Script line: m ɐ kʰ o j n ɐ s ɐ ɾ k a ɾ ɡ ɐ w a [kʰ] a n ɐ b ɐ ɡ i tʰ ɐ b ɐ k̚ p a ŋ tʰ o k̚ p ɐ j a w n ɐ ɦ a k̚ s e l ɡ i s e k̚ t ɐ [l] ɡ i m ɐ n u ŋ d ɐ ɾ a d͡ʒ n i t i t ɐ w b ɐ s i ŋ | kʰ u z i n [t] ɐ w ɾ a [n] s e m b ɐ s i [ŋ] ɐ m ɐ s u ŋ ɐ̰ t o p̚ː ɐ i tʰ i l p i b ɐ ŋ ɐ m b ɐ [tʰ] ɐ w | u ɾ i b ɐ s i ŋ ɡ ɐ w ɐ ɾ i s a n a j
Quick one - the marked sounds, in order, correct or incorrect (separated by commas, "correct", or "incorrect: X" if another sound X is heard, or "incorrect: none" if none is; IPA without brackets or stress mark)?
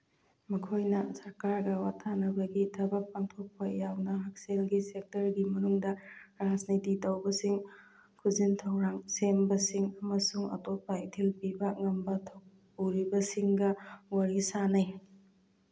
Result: incorrect: tʰ, incorrect: ɾ, incorrect: tʰ, incorrect: ŋ, correct, correct